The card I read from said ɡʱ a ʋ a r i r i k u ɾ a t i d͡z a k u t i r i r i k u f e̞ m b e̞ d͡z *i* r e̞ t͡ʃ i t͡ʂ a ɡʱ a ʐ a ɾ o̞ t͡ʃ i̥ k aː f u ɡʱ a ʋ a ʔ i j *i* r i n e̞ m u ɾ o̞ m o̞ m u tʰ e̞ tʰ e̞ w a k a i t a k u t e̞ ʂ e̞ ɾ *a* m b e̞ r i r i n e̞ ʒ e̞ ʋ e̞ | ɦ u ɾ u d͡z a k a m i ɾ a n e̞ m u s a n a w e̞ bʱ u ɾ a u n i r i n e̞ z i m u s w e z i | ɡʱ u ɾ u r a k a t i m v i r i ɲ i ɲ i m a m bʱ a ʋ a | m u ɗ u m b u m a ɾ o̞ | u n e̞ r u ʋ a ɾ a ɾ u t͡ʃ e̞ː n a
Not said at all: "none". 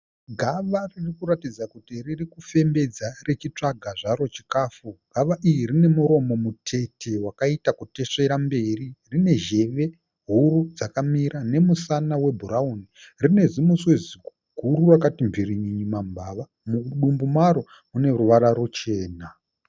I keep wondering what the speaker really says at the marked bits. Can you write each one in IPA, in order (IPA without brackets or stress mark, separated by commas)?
a, i, a